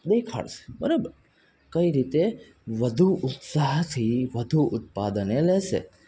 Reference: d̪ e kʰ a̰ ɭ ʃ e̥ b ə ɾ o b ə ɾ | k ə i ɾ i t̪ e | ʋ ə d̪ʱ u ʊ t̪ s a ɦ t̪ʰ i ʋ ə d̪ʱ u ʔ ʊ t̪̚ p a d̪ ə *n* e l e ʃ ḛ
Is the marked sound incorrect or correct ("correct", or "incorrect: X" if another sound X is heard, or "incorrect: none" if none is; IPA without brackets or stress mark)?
correct